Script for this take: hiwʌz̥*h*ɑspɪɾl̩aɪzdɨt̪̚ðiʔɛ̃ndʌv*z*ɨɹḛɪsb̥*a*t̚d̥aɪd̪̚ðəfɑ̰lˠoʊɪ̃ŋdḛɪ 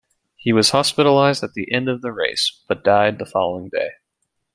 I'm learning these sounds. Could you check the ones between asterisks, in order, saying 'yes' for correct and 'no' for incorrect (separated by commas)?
yes, no, no